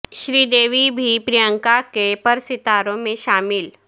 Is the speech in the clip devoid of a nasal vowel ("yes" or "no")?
no